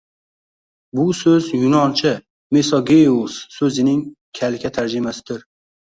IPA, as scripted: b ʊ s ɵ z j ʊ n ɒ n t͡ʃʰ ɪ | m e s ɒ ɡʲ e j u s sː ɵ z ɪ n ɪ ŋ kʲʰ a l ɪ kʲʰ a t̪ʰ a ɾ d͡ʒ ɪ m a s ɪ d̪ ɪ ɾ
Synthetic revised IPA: b ʊ s ɵ z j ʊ n ɒ n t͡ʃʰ ɪ | m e s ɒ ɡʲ e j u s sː ɵ z ɪ n ɪ ŋ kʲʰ a l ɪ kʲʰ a t̪ʰ a ɾ d͡ʒ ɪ m a s ɪ d̪ ɪ ɾ